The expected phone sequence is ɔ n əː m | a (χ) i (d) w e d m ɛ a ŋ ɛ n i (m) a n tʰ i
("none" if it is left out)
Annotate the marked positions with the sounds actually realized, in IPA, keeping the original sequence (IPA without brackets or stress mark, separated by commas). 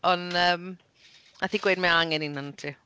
θ, ɡ, n